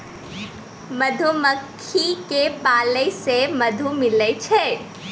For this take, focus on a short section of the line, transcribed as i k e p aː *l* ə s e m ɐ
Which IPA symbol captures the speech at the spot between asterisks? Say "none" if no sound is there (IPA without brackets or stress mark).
l